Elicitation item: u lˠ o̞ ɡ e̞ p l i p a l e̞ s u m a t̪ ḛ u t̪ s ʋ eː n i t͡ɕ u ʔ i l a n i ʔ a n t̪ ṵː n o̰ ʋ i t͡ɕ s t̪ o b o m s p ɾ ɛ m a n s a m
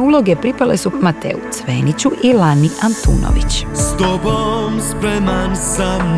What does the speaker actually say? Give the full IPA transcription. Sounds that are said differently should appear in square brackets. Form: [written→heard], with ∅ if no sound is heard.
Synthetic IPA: u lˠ o̞ ɡ e̞ p [l→ɾ] i p a l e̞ s u m a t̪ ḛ u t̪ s ʋ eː n i t͡ɕ u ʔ i l a n i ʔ a n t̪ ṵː n o̰ ʋ i t͡ɕ s t̪ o b o m s p ɾ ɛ m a n s a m